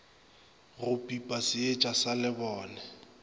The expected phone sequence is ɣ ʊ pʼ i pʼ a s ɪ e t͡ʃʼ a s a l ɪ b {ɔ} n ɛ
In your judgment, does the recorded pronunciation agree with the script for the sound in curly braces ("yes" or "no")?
no